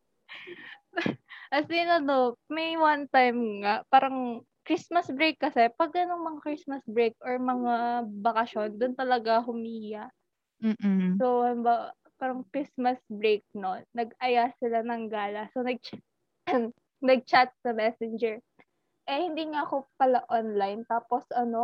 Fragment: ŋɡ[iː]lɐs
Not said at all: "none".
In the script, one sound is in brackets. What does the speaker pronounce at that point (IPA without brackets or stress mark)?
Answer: aː